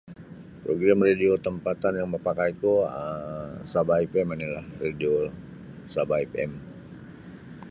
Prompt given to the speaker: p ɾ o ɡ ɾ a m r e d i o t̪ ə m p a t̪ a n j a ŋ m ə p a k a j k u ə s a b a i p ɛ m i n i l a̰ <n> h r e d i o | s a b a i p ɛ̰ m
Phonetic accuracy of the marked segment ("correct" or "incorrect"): incorrect